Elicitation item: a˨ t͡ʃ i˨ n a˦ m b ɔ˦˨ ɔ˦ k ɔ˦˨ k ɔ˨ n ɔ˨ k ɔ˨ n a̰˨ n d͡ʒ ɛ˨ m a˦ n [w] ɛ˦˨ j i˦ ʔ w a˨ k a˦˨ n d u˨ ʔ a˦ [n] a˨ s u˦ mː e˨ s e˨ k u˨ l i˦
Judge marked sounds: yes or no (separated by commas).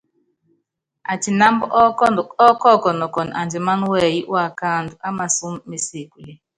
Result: yes, no